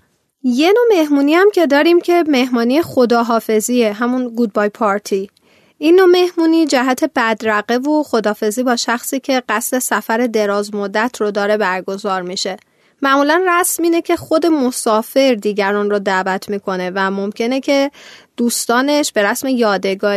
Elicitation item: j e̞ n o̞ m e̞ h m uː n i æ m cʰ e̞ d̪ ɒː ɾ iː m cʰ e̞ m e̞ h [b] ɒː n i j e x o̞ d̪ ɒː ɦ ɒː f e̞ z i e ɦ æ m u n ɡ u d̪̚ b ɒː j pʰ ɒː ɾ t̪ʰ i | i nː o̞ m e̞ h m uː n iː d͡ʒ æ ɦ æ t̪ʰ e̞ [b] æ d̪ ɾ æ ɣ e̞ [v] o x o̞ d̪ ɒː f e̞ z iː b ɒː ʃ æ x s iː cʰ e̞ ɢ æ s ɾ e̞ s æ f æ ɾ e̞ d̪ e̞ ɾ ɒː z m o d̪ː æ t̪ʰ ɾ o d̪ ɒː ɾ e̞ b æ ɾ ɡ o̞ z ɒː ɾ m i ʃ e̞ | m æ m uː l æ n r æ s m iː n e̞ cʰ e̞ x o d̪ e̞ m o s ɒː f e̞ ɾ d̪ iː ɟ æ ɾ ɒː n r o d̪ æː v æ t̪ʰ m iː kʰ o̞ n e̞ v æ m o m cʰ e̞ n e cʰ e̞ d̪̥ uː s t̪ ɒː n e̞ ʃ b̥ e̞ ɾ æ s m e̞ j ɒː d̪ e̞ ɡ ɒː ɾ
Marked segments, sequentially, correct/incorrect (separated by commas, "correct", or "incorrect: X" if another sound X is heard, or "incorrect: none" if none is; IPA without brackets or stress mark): incorrect: m, correct, correct